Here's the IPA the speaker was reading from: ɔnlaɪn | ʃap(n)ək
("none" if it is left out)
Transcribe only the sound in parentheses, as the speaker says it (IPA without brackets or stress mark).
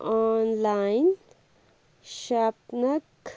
n